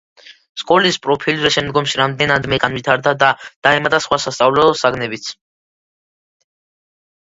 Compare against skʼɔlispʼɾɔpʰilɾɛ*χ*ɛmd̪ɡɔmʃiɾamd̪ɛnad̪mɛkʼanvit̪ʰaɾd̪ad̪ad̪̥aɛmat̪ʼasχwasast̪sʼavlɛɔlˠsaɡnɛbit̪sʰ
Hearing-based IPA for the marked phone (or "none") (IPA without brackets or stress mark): ʃ